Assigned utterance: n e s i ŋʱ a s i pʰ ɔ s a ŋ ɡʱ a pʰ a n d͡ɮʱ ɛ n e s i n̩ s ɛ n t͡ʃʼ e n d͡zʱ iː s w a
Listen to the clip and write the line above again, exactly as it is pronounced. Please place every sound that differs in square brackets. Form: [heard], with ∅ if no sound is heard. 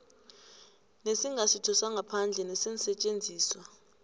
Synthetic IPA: n e s i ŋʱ a s i [tʰ] ɔ s a ŋ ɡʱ a pʰ a n d͡ɮʱ ɛ n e s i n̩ s ɛ [∅] t͡ʃʼ e n d͡zʱ iː s w a